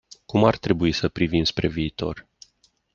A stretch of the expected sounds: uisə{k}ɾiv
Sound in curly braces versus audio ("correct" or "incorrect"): incorrect